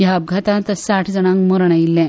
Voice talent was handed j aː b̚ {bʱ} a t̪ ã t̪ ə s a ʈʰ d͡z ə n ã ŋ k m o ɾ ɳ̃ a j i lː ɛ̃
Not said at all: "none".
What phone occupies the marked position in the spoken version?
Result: ɡʱ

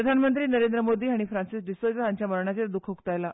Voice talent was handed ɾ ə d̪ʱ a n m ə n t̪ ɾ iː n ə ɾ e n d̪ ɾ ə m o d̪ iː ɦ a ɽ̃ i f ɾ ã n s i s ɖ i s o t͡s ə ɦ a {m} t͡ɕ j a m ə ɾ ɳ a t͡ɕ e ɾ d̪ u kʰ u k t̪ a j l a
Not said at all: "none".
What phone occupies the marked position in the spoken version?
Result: ɲ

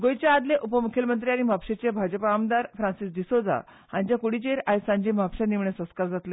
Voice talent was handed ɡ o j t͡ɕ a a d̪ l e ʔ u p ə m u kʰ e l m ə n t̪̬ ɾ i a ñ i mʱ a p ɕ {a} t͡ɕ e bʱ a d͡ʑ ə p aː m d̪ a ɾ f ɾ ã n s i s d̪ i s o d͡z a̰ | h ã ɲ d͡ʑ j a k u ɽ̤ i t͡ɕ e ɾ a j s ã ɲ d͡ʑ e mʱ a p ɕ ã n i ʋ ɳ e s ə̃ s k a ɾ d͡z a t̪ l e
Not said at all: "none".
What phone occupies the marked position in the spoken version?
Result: e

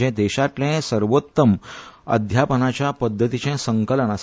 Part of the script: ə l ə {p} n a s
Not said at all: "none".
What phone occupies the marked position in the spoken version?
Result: none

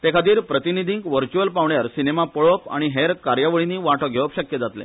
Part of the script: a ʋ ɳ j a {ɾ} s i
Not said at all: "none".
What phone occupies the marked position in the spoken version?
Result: ɾ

